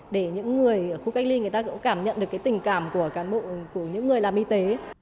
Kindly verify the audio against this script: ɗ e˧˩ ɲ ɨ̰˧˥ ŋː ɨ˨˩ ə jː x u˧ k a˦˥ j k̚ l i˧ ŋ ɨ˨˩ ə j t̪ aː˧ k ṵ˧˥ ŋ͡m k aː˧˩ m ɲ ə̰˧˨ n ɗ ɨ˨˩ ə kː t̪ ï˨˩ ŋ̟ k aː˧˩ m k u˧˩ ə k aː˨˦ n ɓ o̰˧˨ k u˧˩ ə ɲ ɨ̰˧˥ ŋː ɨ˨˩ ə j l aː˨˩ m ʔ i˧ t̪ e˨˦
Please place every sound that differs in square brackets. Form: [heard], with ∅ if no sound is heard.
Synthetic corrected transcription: ɗ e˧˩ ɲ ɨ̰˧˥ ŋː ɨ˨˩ ə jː x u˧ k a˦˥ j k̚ l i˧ ŋ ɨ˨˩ ə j t̪ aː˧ k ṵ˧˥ ŋ͡m k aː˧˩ m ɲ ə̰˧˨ n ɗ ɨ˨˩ ə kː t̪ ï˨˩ ŋ̟ k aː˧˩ m k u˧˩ ə k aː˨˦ n ɓ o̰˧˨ k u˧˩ ə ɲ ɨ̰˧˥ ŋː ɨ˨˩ ə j l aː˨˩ m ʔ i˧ t̪ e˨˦